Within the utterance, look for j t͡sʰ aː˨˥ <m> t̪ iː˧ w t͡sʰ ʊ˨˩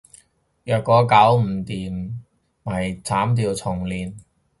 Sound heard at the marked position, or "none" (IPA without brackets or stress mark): m